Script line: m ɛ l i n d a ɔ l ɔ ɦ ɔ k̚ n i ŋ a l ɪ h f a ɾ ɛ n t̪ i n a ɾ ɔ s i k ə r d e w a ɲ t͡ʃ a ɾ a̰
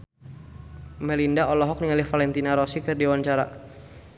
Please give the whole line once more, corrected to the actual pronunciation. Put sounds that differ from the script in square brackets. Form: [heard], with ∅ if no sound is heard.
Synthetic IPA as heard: m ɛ l i n d a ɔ l ɔ ɦ ɔ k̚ n i ŋ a l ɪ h f a [l] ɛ n t̪ i n a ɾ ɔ s i k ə r d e w a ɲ t͡ʃ a ɾ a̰